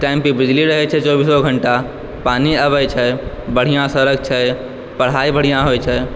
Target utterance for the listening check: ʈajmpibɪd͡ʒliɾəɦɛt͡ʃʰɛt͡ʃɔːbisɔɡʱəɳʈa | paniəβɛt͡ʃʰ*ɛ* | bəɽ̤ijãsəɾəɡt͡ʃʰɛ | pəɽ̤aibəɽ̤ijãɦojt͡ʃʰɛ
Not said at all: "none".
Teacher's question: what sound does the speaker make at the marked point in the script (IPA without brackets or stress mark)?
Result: ɛ